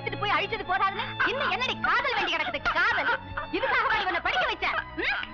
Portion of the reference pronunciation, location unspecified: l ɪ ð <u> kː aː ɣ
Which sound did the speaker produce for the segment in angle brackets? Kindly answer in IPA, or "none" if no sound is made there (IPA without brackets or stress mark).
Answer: ɯ